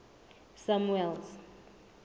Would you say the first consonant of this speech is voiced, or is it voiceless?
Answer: voiceless